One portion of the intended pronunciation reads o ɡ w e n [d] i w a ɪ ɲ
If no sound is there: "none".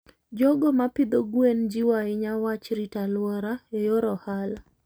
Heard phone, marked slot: d͡ʒ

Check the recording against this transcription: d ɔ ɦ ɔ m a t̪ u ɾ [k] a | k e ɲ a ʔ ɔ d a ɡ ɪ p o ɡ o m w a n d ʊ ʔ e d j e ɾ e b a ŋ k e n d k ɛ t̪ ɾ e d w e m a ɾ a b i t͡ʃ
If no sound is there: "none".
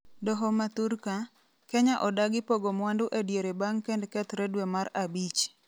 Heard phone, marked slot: k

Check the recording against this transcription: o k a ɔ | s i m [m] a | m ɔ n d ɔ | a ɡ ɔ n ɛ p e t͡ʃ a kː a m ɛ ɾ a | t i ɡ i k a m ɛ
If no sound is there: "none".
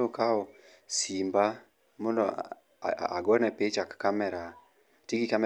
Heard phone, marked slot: b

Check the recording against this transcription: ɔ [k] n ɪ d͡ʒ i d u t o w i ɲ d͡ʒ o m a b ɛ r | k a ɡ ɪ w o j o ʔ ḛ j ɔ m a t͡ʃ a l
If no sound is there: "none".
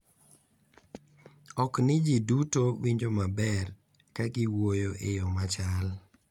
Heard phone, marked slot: k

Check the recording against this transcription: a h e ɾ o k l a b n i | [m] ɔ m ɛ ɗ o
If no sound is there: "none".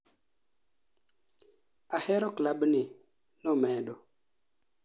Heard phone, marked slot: n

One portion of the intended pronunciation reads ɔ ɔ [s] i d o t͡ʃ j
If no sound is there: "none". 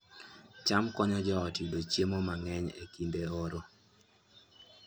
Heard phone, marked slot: t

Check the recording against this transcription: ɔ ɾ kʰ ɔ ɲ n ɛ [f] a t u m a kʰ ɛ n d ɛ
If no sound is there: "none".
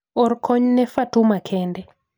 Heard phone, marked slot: f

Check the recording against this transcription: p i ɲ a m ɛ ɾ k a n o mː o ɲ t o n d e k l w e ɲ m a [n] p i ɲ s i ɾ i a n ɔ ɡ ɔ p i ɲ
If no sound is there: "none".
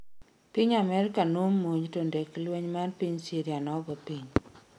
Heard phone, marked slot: n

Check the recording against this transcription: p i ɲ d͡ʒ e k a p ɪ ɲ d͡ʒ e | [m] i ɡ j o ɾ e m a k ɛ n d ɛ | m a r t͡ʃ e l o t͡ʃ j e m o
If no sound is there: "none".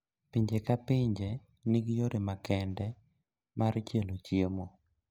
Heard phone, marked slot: n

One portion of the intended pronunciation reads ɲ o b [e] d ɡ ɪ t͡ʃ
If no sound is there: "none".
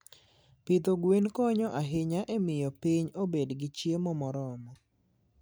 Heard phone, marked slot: e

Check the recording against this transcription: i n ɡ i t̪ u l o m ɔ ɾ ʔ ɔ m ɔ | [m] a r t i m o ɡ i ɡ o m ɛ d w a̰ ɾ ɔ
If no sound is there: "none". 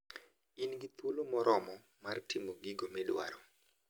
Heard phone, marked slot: m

